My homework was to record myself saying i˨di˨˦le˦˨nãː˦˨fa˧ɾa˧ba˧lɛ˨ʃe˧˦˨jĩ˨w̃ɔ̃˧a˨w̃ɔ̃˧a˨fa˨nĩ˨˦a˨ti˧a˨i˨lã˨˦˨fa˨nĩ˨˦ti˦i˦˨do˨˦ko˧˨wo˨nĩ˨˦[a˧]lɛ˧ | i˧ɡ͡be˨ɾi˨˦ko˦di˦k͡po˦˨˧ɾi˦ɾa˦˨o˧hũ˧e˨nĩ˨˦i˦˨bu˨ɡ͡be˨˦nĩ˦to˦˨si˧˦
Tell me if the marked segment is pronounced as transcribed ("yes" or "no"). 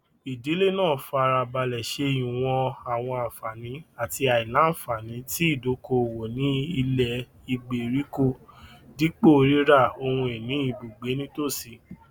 no